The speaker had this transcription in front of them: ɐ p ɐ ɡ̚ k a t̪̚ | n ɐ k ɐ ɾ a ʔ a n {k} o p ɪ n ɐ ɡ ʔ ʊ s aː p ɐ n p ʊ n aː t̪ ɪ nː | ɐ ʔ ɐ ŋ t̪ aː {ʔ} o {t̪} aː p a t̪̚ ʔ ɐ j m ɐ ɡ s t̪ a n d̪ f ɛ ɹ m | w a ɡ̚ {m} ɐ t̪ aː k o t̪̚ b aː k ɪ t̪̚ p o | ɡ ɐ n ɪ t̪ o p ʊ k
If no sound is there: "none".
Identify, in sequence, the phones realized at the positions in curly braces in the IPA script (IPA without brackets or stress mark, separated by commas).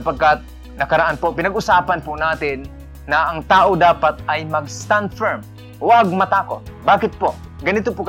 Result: p, ʔ, d̪, m